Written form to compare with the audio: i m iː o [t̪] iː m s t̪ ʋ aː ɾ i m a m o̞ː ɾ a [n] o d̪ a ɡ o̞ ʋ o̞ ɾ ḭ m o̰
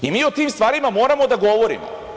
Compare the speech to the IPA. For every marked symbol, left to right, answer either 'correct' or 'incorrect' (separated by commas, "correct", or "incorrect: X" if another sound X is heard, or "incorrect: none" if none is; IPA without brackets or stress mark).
correct, incorrect: m